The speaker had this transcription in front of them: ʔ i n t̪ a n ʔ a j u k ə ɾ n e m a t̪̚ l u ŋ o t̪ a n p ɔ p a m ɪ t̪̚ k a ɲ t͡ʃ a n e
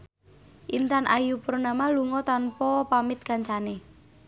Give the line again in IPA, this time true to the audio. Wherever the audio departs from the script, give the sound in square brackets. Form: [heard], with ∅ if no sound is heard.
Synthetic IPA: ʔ i n t̪ a n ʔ a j u [p] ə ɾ n [a] m a [∅] l u ŋ [ɔ] t̪ a n p ɔ p a m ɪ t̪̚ k a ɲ t͡ʃ a n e